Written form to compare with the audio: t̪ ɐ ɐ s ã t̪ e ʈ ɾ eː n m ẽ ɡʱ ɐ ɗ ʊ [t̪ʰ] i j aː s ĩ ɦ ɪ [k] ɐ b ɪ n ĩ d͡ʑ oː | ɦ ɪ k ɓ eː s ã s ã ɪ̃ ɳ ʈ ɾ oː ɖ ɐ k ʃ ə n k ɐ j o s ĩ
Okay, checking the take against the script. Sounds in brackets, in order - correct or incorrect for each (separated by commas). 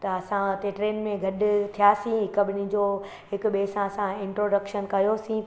correct, correct